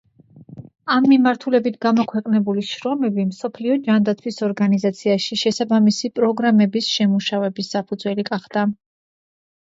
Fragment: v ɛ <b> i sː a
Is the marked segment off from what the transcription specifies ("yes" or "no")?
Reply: no